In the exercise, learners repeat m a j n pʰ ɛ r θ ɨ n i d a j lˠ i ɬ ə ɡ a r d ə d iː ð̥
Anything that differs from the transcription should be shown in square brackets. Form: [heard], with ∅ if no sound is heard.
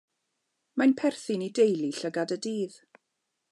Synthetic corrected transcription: m a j n pʰ ɛ r θ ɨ n i d [e] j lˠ i ɬ ə ɡ a [∅] d ə d iː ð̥